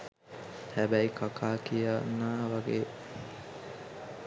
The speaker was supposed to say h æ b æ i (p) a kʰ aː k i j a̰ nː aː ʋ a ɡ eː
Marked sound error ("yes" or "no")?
yes